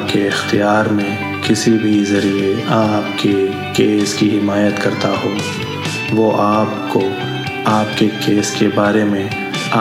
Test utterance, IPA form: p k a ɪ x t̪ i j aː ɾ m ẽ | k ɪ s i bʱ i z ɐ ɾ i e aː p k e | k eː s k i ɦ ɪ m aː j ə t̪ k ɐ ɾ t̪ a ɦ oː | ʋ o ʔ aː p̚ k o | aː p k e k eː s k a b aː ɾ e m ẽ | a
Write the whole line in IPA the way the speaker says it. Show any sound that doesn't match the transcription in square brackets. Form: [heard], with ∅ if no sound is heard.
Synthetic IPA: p k [e] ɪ x t̪ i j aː ɾ m ẽ | k ɪ s i bʱ i z ɐ ɾ i e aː p k e | k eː s k i ɦ ɪ m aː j ə t̪ k ɐ ɾ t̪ a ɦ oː | ʋ o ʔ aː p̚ k o | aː p k e k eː s k [e] b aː ɾ e m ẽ | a